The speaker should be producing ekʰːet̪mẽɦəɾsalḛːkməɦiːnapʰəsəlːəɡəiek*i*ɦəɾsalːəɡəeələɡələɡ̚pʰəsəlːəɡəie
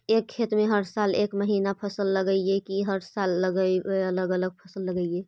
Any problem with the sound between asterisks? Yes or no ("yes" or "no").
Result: no